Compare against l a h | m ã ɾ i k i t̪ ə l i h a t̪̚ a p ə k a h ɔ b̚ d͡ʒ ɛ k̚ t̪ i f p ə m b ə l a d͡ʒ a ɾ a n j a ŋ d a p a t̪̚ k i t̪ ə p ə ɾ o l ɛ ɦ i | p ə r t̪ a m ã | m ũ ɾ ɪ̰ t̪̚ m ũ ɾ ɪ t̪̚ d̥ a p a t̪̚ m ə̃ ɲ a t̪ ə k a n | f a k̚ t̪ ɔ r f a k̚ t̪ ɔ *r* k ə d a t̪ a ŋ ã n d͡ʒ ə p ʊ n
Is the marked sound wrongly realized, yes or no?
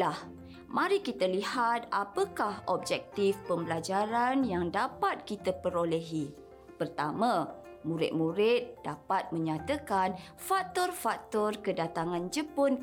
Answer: no